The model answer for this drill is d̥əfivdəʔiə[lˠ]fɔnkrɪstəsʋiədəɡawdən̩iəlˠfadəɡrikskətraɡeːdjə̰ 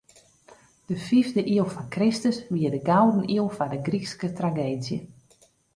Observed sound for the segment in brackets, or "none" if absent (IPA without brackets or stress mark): lˠ